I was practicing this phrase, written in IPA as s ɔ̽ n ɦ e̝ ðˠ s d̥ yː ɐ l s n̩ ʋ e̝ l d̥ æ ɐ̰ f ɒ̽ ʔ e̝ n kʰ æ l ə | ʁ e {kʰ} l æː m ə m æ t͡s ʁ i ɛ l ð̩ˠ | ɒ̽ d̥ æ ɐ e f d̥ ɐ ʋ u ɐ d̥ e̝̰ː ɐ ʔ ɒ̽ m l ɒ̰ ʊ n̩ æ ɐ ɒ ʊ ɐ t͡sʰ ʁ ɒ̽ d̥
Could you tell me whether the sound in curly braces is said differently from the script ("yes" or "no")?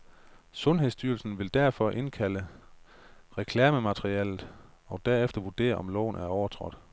no